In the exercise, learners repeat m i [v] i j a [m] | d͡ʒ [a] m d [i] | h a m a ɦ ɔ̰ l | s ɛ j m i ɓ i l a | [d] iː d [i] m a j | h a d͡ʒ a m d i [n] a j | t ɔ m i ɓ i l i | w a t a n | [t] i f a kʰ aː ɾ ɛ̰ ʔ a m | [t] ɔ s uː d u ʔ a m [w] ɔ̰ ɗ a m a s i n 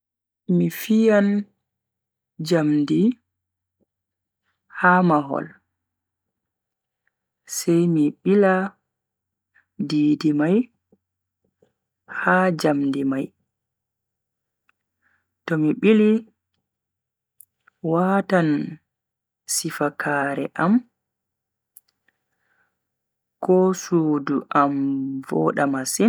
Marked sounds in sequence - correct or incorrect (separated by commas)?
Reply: incorrect, incorrect, correct, correct, correct, correct, incorrect, incorrect, incorrect, incorrect